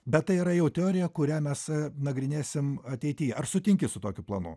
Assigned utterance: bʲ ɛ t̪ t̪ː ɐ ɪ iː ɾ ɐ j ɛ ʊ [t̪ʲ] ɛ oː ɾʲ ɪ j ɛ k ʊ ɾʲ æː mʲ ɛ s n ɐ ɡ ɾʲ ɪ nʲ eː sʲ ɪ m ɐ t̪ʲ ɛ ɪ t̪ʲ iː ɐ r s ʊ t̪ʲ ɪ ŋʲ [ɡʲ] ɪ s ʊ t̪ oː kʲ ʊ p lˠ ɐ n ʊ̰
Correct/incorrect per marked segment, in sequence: correct, incorrect

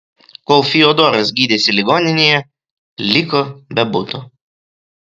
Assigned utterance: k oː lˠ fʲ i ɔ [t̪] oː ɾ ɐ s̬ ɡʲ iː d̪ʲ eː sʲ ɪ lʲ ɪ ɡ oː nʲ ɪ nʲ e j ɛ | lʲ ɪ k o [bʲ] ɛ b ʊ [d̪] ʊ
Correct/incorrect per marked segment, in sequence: incorrect, correct, incorrect

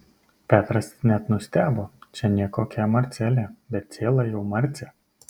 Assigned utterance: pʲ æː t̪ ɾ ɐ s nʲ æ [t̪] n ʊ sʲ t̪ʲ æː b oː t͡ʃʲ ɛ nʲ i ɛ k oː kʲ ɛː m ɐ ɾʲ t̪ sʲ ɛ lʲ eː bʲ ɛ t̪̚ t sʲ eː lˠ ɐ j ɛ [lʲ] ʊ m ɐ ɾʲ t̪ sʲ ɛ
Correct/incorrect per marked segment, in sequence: correct, incorrect

